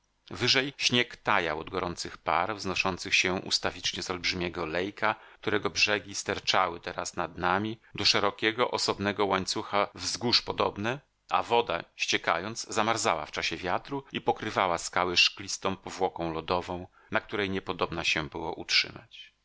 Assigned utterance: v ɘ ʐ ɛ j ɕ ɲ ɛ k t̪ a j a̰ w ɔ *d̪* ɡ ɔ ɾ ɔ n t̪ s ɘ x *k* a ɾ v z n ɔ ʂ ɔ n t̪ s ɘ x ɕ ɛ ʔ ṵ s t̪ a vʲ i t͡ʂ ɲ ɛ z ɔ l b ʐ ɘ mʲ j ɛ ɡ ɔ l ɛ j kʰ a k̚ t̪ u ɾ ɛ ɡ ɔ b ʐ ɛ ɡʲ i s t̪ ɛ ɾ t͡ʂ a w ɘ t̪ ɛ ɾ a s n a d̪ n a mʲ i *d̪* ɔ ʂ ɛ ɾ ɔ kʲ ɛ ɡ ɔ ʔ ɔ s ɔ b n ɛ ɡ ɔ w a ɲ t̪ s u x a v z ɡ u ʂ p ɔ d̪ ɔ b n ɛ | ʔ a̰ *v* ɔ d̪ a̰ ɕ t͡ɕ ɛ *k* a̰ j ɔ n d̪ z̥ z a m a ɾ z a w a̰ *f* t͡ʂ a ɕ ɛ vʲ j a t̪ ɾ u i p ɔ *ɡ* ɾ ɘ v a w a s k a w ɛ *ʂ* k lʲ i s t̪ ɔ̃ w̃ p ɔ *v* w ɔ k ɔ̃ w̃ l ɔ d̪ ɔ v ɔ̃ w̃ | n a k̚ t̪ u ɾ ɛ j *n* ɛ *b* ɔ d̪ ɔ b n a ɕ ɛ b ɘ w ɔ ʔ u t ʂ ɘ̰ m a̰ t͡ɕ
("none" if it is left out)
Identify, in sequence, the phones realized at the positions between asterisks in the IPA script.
d̪, p, d̪, v, k, f, k, ʂ, v, ɲ, p

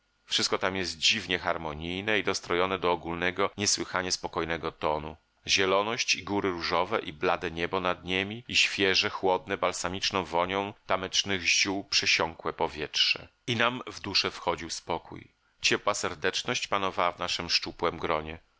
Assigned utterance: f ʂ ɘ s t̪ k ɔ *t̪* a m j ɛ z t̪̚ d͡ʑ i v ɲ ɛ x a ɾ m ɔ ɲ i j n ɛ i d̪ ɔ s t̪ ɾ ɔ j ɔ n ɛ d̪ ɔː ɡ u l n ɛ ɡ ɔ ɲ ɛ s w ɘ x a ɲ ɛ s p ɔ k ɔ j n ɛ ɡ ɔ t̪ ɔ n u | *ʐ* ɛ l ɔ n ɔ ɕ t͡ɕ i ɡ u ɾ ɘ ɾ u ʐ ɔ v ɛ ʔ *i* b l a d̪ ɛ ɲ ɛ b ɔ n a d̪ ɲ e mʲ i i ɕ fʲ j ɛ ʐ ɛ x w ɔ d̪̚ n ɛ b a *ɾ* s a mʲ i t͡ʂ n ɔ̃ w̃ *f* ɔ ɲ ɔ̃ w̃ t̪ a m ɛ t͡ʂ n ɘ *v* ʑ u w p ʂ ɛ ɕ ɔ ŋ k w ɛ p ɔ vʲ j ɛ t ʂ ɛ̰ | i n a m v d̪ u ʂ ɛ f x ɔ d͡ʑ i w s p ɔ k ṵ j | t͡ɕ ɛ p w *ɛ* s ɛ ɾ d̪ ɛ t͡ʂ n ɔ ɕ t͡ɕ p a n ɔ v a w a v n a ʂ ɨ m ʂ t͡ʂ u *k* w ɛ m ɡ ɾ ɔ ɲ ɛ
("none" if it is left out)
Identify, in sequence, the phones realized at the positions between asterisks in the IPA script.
t̪, ʑ, i, l, v, ɣ, a, p

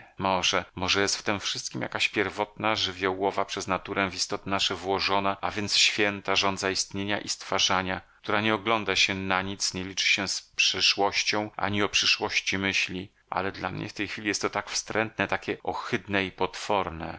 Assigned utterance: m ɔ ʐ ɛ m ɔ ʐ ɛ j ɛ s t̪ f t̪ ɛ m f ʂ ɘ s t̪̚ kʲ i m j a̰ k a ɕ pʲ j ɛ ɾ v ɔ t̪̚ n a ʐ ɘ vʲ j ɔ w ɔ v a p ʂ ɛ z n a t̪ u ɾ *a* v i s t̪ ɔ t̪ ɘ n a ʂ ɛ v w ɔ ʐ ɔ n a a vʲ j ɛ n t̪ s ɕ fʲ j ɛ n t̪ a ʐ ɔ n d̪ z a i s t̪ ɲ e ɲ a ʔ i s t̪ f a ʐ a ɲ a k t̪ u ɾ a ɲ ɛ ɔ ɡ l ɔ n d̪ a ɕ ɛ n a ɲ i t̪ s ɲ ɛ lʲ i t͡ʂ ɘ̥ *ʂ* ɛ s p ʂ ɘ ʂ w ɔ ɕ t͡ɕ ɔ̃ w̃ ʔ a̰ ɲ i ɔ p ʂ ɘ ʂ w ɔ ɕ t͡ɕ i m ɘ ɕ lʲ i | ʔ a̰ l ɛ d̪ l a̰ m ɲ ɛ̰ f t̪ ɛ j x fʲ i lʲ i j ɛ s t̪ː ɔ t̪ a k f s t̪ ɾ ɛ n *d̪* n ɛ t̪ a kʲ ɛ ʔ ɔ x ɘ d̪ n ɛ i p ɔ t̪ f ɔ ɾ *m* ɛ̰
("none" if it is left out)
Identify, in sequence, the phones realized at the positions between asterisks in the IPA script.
ɛ, ɕ, t̪, n

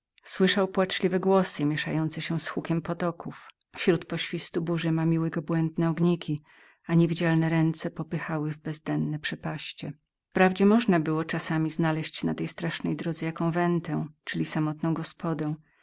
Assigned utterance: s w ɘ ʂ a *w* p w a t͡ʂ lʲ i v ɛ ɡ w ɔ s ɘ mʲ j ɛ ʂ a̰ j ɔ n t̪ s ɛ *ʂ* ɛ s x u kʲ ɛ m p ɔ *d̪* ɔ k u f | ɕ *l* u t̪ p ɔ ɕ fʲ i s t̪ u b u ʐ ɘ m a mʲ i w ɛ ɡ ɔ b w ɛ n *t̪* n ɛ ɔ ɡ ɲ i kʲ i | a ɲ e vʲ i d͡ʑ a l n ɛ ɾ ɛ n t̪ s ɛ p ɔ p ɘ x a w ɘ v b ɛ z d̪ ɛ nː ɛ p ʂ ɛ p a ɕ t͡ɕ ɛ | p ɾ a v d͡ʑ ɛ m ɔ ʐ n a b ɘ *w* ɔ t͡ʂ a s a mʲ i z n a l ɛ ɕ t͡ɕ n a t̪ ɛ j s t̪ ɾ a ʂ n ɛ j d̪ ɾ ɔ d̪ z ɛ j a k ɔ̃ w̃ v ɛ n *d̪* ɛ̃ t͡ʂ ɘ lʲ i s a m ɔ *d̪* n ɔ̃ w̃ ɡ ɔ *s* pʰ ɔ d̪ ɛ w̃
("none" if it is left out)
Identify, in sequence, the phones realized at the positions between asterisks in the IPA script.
w, ɕ, t̪, ɾ, d̪, w, t̪, t̪, s

